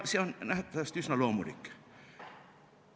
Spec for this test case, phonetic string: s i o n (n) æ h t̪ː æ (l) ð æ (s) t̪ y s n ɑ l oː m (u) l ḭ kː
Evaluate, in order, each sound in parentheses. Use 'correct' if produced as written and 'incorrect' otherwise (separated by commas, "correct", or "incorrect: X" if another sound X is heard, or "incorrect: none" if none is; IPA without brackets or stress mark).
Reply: correct, incorrect: none, correct, correct